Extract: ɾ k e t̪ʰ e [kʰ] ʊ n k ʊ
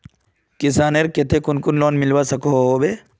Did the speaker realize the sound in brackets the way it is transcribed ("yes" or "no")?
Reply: no